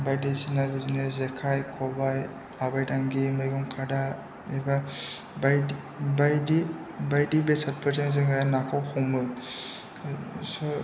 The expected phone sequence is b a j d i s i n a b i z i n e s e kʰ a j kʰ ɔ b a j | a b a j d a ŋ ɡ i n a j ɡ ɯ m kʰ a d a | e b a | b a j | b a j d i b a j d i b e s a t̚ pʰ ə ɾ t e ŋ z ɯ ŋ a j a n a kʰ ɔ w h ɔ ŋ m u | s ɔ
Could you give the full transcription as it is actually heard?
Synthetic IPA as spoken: b a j d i s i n a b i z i n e z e kʰ a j kʰ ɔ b a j | a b a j d a ŋ ɡ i m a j ɡ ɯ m kʰ a d a | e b a | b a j | b a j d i b a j d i b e s a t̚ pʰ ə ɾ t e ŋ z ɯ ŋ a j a n a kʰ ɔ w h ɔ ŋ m ɯ | s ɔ